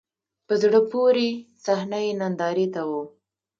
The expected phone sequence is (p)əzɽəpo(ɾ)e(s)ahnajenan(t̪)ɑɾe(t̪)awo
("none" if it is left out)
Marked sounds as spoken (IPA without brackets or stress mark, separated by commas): p, ɾ, s, d̪, t̪